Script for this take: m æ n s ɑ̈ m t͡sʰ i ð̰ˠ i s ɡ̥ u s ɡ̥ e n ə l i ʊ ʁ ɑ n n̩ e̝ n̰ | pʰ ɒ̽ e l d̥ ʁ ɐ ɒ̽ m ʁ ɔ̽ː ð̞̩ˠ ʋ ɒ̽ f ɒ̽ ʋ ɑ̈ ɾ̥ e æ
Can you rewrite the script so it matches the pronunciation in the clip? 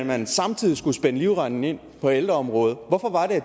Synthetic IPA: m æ n s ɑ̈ m t͡sʰ i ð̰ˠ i s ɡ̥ u s b̥ e n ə l i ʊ ʁ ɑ n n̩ e̝ n̰ | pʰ ɒ̽ e l d̥ ʁ ɐ ɒ̽ m ʁ ɔ̽ː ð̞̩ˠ ʋ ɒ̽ f ɒ̽ ʋ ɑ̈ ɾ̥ e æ